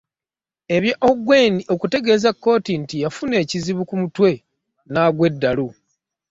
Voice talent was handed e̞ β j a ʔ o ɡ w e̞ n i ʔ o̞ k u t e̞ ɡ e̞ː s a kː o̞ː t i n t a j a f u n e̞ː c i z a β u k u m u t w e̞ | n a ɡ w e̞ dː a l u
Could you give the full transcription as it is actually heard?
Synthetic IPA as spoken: e̞ β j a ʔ o ɡ w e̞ n i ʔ o̞ k u t e̞ ɡ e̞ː z a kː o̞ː t i n t i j a f u n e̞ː c i z i β u k u m u t w e̞ | n a ɡ w e̞ dː a l u